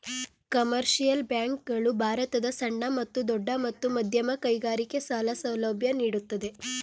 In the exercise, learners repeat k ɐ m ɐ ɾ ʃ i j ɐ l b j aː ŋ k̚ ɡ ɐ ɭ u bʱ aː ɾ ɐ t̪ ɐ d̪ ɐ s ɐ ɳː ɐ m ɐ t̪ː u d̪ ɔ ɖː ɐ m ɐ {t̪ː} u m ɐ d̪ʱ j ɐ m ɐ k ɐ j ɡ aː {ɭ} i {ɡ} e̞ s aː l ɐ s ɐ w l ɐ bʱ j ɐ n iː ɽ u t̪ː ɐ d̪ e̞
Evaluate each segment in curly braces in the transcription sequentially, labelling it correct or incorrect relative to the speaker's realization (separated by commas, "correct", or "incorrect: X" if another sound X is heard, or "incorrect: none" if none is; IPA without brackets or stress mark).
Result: correct, incorrect: ɾ, incorrect: k